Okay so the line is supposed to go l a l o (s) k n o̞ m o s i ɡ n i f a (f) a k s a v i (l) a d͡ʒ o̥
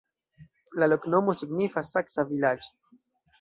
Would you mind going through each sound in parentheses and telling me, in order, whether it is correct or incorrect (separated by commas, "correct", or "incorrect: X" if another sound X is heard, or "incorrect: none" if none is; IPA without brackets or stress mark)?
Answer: incorrect: none, incorrect: s, correct